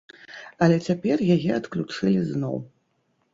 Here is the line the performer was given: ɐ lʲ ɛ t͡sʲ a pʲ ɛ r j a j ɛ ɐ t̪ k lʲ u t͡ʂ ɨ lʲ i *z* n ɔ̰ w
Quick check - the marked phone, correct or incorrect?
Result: correct